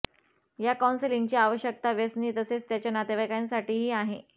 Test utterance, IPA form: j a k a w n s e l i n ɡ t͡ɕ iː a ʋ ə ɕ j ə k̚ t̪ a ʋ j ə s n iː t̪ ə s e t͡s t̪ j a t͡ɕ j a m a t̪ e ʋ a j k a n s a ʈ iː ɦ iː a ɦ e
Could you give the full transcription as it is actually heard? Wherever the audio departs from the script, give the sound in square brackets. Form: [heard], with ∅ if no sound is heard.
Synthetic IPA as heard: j a k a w n s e l i [ŋ] ɡ t͡ɕ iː a ʋ ə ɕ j ə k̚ t̪ a ʋ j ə s n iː t̪ ə s e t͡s t̪ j a t͡ɕ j a [n] a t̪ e ʋ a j k a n s a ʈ iː ɦ iː a ɦ e